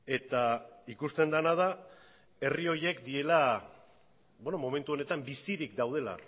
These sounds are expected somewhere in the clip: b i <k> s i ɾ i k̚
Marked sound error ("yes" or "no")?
yes